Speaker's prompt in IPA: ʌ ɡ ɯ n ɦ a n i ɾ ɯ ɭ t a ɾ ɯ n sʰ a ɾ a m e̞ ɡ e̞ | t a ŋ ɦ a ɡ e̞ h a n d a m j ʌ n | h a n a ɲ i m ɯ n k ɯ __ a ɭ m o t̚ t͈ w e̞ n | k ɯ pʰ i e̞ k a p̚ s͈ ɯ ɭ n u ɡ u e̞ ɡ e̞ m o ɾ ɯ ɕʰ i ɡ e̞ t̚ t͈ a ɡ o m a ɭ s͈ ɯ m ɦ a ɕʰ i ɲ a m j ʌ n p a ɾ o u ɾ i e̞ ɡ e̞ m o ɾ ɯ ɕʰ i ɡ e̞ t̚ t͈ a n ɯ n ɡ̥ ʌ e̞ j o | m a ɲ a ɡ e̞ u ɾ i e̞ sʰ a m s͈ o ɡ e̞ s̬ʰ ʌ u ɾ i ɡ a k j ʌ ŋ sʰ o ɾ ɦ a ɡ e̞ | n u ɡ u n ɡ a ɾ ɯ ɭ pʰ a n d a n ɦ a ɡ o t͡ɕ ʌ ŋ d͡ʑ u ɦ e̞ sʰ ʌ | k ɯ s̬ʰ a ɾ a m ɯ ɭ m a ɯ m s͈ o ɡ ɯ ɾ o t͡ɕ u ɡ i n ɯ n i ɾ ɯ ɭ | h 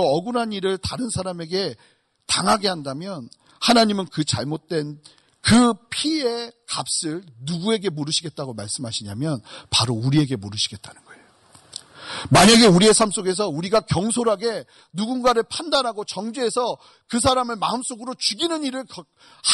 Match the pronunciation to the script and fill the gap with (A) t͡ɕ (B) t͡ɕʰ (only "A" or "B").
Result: A